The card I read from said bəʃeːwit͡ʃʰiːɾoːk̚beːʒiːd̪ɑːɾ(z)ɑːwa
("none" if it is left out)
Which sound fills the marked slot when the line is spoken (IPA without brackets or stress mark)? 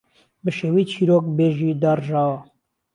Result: ʒ